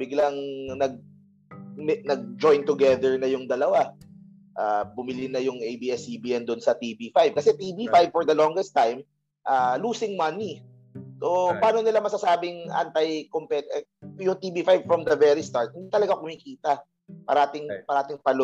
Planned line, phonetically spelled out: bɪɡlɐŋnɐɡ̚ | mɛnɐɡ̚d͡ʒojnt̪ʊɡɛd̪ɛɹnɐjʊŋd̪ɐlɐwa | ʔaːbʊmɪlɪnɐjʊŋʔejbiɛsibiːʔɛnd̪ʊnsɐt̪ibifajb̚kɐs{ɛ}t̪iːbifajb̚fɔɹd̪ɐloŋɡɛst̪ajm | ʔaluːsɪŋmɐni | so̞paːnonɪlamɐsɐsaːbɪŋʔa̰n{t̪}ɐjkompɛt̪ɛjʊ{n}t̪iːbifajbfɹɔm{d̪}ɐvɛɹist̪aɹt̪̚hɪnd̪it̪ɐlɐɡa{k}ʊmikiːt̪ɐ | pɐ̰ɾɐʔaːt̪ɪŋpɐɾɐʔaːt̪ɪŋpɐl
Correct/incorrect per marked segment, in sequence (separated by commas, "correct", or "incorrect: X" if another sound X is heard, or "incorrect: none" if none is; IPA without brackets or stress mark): correct, correct, incorrect: ŋ, correct, correct